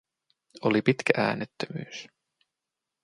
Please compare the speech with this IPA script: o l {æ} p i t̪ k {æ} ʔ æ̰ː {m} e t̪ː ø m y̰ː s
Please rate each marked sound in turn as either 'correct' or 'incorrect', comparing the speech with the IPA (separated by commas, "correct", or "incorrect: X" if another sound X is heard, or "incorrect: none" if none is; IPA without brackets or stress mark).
incorrect: i, correct, incorrect: n